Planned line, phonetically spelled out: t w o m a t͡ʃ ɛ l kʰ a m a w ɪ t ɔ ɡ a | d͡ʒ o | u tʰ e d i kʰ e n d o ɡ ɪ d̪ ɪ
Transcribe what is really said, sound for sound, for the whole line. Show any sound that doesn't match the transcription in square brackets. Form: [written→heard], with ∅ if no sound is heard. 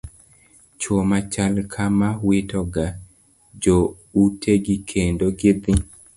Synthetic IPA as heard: [t→t͡ʃ] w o m a t͡ʃ [ɛ→a] l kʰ a m a w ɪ t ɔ ɡ a | d͡ʒ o | u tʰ e [d→ɡ] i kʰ e n d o ɡ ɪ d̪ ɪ